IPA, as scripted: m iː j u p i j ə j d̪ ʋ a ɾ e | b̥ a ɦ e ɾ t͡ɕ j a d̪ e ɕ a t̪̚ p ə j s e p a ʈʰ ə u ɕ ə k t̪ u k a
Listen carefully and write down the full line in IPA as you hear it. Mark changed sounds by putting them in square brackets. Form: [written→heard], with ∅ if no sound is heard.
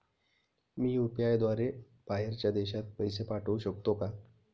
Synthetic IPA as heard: m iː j u p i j [ə→a] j d̪ ʋ a ɾ e | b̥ a ɦ e ɾ t͡ɕ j a d̪ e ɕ a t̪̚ p ə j s e p a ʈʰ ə u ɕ ə k t̪ [u→o] k a